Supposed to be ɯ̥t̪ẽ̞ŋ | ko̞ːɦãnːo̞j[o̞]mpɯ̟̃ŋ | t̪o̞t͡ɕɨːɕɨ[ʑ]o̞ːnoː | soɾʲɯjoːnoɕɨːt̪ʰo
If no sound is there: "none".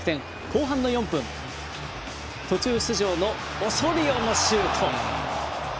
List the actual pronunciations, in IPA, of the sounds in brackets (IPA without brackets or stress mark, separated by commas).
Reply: õ̞, ʑ